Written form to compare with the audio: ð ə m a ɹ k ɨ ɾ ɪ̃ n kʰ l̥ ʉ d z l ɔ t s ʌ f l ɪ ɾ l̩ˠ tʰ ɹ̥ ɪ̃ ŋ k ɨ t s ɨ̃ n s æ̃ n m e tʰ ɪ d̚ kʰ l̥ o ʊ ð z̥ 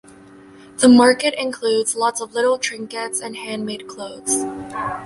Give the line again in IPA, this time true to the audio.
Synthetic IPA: ð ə m ɑ ɹ k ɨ ɾ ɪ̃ n kʰ l̥ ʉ d z l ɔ t s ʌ v l ɪ ɾ l̩ˠ tʰ ɹ̥ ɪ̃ ŋ k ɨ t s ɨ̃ n h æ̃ n m e ɪ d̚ kʰ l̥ o ʊ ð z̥

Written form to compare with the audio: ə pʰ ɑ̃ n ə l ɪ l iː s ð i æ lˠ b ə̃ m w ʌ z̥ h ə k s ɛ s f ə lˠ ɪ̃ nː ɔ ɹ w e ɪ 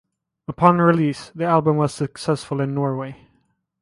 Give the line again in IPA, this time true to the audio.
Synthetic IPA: ə pʰ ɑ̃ n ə ɹ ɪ l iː s ð i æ lˠ b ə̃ m w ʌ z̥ s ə k s ɛ s f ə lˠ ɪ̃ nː ɔ ɹ w e ɪ

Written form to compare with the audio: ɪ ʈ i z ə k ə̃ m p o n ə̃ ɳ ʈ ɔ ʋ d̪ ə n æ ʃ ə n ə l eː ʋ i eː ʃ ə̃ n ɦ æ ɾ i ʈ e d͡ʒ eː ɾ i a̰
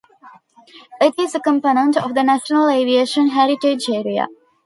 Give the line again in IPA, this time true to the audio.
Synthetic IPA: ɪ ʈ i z ə k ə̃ m p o n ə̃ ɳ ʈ ɔ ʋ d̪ ə n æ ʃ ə n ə l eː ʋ i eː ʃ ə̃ n ɦ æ ɾ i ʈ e d͡ʒ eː ɾ i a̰

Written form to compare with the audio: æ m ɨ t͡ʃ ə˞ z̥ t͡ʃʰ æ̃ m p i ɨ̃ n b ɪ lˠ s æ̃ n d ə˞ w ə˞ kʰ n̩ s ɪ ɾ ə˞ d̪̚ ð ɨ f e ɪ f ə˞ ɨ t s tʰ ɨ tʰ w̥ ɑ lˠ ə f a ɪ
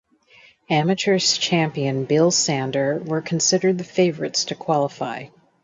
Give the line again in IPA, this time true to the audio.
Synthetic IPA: æ m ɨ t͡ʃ ə˞ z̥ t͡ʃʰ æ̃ m p i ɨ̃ n b ɪ lˠ s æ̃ n d ə˞ w ə˞ kʰ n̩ s ɪ ɾ ə˞ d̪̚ ð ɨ f e ɪ v ə˞ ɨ t s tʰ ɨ kʰ w̥ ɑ lˠ ə f a ɪ

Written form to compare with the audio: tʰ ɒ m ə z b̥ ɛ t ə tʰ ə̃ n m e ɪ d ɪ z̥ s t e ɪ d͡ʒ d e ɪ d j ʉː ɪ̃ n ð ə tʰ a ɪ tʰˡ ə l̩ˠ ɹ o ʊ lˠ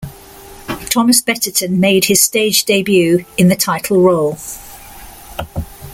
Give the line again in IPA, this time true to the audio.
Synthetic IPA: tʰ ɒ m ə s b̥ ɛ t ə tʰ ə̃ n m e ɪ d ɪ z̥ s t e ɪ d͡ʒ d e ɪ b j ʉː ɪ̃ n ð ə tʰ a ɪ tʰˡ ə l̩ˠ ɹ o ʊ lˠ

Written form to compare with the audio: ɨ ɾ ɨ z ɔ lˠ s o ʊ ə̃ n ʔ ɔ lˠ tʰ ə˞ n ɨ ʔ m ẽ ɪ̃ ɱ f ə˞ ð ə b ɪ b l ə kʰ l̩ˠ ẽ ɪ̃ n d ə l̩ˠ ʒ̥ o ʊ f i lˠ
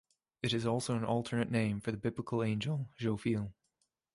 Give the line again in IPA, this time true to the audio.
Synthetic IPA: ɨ ɾ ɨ z ɔ lˠ s o ʊ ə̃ n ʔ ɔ lˠ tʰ ə˞ n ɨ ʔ n ẽ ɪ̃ ɱ f ə˞ ð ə b ɪ b l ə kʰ l̩ˠ ẽ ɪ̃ n d͡ʒ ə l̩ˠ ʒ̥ o ʊ f i lˠ

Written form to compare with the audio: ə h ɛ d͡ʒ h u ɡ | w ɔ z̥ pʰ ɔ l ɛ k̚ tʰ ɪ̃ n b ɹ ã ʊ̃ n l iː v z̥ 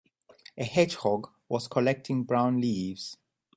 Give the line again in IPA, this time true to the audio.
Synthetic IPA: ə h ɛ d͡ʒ h ɔ ɡ | w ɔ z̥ kʰ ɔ l ɛ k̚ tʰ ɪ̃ ŋ b ɹ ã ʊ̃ n l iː v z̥

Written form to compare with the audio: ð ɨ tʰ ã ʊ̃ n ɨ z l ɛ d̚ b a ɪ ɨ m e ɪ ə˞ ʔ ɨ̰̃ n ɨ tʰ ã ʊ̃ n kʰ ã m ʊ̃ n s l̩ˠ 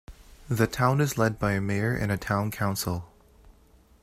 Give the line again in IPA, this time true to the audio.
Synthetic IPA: ð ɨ tʰ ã ʊ̃ n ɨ z l ɛ d̚ b a ɪ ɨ m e ɪ ə˞ ʔ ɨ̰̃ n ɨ tʰ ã ʊ̃ n kʰ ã ʊ̃ n s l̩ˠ

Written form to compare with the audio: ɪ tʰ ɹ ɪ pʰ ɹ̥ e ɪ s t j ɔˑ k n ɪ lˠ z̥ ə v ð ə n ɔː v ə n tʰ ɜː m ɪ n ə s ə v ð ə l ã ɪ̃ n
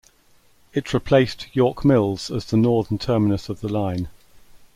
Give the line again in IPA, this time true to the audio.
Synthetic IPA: ɪ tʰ ɹ ɪ pʰ l̥ e ɪ s t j ɔˑ k m ɪ lˠ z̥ ə z ð ə n ɔː ð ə n tʰ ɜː m ɪ n ə s ə v ð ə l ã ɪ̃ n

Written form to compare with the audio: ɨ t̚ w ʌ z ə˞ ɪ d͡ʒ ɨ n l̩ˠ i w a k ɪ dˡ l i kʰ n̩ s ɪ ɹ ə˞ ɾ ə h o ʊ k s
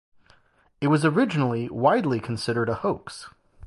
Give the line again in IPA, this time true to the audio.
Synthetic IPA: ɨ t̚ w ʌ z ə˞ ɪ d͡ʒ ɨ n l̩ˠ i w a ɪ dˡ l i kʰ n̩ s ɪ ɾ ə˞ ɾ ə h o ʊ k s

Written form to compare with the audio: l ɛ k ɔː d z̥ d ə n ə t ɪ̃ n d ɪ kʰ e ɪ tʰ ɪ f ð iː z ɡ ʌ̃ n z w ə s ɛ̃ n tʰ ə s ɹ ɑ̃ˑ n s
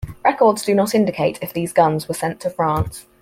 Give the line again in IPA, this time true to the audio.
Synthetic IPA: ɹ ɛ k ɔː d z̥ d ə n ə t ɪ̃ n d ɪ kʰ e ɪ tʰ ɪ f ð iː z ɡ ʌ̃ n z w ə s ɛ̃ n tʰ ə f ɹ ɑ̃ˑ n s

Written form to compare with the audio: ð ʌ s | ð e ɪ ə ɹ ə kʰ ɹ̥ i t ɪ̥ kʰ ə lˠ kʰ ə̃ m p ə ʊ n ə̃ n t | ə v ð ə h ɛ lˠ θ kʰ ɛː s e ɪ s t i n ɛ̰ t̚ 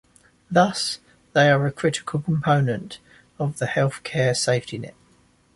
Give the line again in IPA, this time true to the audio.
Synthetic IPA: ð ʌ s | ð e ɪ ə ɹ ə kʰ ɹ̥ ɪ t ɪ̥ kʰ ə lˠ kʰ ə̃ m pʰ ə ʊ n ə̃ n t | ə v ð ə h ɛ lˠ θ kʰ ɛː s e ɪ f t i n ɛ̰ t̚

